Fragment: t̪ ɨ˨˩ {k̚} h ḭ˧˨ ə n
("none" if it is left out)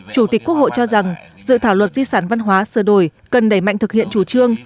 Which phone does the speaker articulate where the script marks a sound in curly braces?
k̚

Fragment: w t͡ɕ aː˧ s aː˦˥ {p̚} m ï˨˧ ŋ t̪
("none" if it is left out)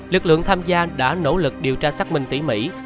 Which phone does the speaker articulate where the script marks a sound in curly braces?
k̚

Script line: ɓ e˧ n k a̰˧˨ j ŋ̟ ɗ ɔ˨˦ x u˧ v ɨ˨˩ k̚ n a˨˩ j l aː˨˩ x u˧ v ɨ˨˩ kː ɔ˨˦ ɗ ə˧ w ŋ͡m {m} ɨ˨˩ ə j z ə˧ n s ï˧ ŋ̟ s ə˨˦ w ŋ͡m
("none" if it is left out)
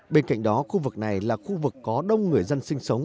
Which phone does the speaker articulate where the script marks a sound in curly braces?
ŋ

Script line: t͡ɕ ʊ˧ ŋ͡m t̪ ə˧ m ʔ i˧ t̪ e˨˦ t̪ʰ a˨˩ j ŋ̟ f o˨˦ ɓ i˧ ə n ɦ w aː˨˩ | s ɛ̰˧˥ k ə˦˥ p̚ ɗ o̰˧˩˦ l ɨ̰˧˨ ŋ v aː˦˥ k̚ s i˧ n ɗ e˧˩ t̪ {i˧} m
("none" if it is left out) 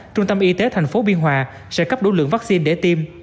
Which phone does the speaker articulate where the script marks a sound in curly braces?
i˧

